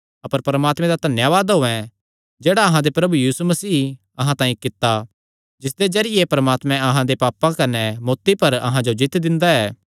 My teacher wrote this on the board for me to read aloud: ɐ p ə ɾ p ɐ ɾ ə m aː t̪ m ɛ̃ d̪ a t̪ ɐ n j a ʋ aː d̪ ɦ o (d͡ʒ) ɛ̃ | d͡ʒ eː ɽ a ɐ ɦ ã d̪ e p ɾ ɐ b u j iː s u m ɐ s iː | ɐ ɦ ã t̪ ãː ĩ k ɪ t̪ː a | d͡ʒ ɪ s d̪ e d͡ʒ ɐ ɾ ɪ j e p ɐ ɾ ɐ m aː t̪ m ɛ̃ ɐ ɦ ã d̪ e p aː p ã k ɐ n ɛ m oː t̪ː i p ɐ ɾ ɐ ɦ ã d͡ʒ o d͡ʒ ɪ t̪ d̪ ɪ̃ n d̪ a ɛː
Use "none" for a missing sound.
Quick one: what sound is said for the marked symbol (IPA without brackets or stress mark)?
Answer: none